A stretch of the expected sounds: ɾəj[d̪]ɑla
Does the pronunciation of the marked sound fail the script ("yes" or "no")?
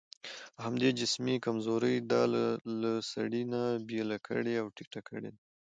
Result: no